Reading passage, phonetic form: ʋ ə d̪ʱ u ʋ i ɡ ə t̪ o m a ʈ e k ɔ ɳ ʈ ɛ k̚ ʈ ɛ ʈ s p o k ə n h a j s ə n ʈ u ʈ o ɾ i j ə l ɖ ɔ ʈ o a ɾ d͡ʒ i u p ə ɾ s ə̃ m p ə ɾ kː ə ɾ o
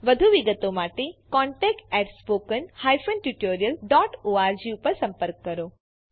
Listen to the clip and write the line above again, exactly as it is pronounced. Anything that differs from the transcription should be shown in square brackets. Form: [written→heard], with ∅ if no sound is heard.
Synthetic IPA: ʋ ə d̪ʱ u ʋ i ɡ ə t̪ o m a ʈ e k ɔ ɳ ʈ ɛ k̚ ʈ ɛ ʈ s p o k ə n h a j [s→f] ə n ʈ u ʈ o ɾ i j ə l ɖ ɔ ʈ o a ɾ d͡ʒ i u p ə ɾ s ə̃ m p ə ɾ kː ə ɾ o